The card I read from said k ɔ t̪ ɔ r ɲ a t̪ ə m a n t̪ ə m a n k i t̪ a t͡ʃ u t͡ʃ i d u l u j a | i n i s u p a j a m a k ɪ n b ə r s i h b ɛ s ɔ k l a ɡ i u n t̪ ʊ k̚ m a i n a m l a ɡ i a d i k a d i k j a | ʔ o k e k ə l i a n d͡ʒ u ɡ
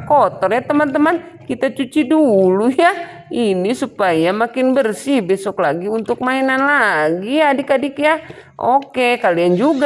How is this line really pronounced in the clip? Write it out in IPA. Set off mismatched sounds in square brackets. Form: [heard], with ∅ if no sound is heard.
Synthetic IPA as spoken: k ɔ t̪ ɔ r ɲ a t̪ ə m a n t̪ ə m a n k i t̪ a t͡ʃ u t͡ʃ i d u l u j a | i n i s u p a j a m a k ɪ n b ə r s i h b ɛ s ɔ k l a ɡ i u n t̪ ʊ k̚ m a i n a [n] l a ɡ i a d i k a d i k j a | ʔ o k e k [a] l i a n d͡ʒ u ɡ